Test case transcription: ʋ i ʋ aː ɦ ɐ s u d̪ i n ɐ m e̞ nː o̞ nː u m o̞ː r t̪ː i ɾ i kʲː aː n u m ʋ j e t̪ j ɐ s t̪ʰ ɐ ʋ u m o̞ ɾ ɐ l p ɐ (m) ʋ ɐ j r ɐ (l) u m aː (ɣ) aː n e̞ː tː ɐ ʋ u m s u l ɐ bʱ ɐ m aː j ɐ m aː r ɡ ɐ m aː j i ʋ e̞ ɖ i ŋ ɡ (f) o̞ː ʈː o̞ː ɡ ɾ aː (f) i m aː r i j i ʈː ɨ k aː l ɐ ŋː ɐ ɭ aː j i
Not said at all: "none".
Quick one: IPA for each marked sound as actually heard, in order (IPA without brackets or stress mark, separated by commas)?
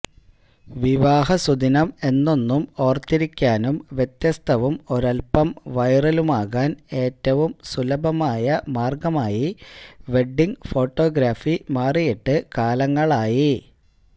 m, l, ɣ, f, f